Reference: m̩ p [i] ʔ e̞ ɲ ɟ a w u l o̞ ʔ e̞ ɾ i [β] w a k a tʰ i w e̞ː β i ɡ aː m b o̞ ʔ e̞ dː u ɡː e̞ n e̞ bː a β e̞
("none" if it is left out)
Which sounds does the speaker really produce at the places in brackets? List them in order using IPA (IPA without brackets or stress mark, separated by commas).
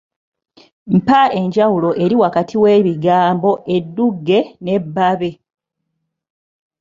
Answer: a, none